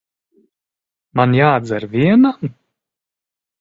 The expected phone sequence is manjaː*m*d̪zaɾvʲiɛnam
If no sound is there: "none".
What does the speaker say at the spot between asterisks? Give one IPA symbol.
none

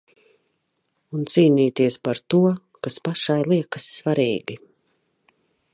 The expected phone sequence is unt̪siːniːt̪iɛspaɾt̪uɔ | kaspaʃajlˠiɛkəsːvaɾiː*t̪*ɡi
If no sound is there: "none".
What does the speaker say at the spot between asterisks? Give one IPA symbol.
none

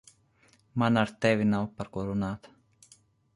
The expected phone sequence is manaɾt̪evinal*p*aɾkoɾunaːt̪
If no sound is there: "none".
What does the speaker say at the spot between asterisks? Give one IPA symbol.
p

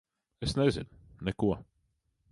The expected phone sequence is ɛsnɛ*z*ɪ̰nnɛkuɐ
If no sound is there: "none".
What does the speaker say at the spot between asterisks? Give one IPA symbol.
z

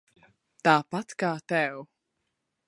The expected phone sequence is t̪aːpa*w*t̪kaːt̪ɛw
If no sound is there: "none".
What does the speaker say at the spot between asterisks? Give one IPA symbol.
none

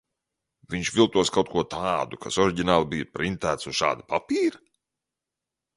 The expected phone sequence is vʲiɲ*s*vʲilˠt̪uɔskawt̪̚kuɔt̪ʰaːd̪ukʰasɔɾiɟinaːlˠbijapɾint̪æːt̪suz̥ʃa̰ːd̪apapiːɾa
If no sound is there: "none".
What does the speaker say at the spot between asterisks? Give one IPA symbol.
ʃ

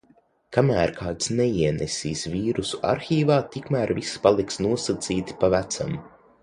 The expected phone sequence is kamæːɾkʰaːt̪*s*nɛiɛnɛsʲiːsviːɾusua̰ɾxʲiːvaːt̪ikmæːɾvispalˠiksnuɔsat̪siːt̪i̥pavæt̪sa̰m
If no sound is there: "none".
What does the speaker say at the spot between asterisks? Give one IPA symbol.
s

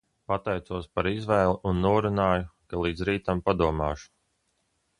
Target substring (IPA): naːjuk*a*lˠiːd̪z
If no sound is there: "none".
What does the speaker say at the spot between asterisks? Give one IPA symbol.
a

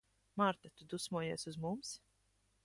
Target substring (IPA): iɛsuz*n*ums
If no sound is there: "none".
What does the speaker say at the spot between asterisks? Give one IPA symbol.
m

